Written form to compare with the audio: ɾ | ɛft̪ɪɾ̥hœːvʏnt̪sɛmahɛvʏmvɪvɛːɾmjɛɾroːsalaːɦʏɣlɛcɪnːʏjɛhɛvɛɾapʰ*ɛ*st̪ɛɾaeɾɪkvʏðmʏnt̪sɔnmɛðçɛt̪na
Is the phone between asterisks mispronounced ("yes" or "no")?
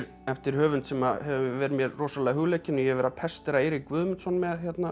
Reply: no